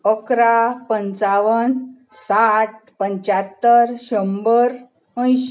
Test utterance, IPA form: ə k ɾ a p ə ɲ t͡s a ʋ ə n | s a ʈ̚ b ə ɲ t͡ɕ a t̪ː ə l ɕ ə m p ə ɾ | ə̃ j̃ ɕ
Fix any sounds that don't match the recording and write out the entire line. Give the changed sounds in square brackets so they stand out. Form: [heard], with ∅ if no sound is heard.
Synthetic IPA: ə k ɾ a p ə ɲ t͡s a ʋ ə n | s a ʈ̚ [p] ə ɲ t͡ɕ a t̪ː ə [ɾ] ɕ ə m [b] ə ɾ | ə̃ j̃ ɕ